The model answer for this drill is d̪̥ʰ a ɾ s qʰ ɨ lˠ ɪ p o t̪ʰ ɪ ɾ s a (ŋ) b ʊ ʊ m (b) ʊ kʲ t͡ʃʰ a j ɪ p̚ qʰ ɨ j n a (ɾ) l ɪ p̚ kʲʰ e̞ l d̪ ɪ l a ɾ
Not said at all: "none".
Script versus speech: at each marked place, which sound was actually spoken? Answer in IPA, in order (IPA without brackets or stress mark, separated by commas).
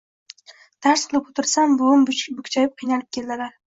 m, b, none